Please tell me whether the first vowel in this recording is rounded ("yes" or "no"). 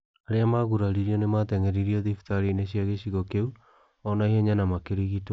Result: no